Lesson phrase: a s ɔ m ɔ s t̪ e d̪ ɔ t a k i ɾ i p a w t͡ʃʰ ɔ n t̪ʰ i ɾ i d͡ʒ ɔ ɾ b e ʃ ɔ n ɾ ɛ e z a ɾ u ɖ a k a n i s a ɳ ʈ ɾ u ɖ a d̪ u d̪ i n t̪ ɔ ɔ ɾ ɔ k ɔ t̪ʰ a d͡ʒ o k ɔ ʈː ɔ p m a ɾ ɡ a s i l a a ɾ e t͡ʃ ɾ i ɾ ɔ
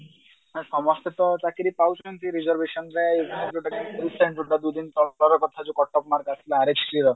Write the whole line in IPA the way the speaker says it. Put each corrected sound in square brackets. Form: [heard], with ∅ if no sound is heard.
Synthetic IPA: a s ɔ m ɔ s t̪ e [t̪] ɔ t a k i ɾ i p a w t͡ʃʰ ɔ n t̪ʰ i ɾ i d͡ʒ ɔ ɾ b e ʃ ɔ n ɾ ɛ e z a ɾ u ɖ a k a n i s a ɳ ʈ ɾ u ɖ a d̪ u d̪ i n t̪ ɔ ɔ ɾ ɔ k ɔ t̪ʰ a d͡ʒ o k ɔ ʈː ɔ p m a ɾ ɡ a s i l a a ɾ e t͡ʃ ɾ i ɾ ɔ